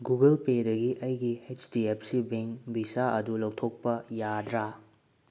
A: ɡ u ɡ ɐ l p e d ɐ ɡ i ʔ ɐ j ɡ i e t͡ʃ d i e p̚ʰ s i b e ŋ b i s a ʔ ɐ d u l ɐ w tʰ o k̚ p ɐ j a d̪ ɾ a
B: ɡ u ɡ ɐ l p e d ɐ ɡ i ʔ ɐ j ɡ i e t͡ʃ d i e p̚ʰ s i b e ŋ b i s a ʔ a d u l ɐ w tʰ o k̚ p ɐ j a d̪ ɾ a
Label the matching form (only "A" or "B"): A